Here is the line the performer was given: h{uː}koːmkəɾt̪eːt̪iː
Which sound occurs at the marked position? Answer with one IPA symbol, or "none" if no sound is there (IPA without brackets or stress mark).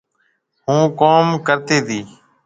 ũː